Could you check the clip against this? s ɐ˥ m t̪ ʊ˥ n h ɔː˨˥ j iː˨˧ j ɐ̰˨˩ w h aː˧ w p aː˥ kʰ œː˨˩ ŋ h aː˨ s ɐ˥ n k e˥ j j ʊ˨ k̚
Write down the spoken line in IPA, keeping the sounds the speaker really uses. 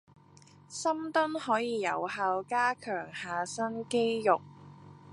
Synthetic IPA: s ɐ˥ m t̪ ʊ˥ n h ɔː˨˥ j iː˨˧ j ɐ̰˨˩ w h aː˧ w k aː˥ kʰ œː˨˩ ŋ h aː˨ s ɐ˥ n k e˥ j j ʊ˨ k̚